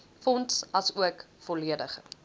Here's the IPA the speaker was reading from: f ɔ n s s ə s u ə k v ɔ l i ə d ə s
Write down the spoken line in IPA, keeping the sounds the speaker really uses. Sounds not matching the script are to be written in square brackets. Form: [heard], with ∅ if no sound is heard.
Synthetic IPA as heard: f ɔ n [t] s [ɐ] s u ə k [f] ɔ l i ə d ə [χ]

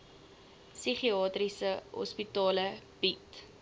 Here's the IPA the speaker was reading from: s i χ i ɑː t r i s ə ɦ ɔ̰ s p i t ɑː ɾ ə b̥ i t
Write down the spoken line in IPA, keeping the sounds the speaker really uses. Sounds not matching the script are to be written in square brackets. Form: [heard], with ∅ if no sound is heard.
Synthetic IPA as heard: s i χ i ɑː t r i s ə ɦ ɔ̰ s p i t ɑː [l] ə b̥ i t

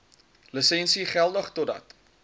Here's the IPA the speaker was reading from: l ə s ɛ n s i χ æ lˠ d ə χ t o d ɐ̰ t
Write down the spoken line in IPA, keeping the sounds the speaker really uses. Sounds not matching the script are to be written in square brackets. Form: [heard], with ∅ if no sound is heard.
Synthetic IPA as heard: l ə s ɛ n s i χ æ lˠ d ə χ t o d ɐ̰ t

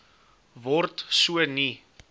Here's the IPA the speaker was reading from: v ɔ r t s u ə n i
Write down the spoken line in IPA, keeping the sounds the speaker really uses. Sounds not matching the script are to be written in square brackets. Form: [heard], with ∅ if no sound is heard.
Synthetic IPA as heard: v ɔ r t s u ə n i

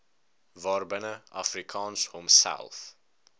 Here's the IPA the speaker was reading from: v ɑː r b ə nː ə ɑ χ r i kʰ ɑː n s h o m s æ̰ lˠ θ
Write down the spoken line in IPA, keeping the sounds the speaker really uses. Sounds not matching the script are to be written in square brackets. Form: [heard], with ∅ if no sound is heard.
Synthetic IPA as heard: v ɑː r b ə [n] ə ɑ [f] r i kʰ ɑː n s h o m s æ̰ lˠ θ

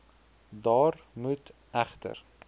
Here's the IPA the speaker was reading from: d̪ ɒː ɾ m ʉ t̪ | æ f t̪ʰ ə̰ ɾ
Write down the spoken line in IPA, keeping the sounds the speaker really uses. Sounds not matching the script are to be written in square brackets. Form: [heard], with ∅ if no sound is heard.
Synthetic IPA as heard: d̪ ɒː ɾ m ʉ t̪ | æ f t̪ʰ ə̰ ɾ

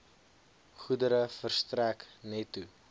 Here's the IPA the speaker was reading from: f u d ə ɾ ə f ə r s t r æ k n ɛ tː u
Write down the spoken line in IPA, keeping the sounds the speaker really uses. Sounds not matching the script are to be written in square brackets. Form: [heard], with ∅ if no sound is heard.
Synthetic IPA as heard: [χ] u d ə ɾ ə f ə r s t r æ k n ɛ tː u

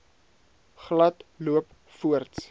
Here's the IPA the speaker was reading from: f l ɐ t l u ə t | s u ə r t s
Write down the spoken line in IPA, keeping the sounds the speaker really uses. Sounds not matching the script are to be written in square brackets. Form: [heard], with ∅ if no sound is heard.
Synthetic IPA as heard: [χ] l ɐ t l u ə [p] | [f] u ə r t s

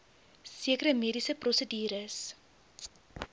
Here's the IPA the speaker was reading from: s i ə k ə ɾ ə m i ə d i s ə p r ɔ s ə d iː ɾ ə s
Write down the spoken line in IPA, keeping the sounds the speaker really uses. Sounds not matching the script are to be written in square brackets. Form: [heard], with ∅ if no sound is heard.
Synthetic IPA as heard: s i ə k ə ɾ ə m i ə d i s ə p r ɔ s ə d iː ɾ ə s

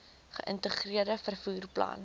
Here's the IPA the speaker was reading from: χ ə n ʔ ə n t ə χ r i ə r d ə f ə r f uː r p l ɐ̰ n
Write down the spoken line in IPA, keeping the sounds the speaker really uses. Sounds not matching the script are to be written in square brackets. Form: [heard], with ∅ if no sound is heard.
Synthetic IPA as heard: χ ə [∅] ʔ ə n t ə χ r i ə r d ə f ə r f uː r p l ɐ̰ n

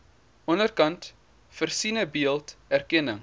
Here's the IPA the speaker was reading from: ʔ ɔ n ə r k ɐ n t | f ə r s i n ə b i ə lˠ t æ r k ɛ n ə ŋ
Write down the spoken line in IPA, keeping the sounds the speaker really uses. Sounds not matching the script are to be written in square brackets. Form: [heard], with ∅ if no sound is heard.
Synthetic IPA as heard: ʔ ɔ n ə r k ɐ n t | f ə r s i n ə b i ə lˠ t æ r k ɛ n ə ŋ

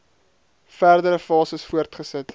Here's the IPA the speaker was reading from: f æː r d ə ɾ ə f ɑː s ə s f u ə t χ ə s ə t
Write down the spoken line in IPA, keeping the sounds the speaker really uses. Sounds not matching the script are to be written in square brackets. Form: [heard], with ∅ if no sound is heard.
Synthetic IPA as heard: f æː r d ə ɾ ə f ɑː s ə s f u ə t χ ə s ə t

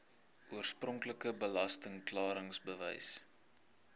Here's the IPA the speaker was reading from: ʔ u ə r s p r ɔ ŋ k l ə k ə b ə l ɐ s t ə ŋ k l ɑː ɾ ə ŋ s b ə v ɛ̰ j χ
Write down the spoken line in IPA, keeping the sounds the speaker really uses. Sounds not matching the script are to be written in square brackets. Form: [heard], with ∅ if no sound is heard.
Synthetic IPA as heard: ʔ u ə r s p r ɔ ŋ k l ə k ə b ə l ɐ s t ə ŋ k l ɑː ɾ ə ŋ s b ə v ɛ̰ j [s]

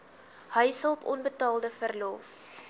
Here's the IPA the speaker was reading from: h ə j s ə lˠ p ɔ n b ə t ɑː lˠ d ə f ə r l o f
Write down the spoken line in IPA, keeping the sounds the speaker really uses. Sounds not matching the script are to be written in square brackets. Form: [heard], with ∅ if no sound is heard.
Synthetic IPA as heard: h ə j s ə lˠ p ɔ n b ə t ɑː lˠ d ə f ə r l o f

